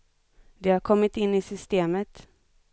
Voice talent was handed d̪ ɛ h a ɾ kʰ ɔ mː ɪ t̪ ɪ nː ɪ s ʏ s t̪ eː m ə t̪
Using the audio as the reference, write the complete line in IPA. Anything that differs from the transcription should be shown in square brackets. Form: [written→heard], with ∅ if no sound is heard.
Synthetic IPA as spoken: d̪ ɛ h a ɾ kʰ ɔ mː ɪ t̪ ɪ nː ɪ s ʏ s t̪ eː m ə t̪